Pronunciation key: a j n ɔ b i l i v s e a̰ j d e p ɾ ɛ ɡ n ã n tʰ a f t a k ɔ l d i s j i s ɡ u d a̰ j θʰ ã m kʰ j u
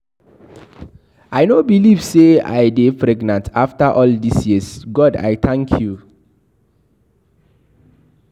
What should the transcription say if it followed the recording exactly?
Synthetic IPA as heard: a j n o b i l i v s e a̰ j d e p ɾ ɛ ɡ n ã n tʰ a f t a ʔ ɔ l d i s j i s ɡ ɔ d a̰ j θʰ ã ŋ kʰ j u